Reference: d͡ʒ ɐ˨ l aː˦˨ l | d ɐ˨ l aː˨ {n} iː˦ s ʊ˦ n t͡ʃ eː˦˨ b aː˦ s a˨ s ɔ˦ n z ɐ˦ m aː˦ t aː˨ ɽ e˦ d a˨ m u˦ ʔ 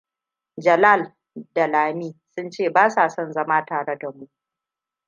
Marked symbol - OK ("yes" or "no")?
no